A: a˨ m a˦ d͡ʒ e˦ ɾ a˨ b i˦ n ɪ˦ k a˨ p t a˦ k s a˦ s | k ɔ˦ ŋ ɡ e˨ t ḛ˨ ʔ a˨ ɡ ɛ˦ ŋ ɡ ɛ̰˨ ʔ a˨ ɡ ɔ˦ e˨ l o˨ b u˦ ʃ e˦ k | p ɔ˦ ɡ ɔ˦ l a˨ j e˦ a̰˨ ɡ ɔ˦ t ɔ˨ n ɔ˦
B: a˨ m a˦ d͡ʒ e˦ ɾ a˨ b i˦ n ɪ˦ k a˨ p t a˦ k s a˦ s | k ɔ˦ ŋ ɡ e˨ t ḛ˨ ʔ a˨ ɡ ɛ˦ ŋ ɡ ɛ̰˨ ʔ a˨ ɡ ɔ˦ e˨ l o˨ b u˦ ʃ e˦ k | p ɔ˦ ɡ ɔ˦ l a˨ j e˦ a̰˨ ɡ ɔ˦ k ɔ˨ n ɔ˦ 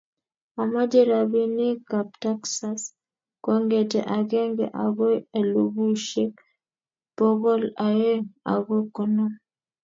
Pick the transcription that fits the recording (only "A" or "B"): B